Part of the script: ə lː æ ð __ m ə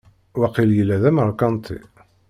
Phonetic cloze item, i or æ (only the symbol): æ